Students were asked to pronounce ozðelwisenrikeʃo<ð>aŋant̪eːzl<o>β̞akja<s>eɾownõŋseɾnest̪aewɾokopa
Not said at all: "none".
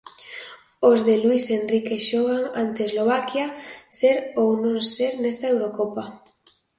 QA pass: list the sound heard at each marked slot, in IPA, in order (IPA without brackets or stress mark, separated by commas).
ɣ, o, s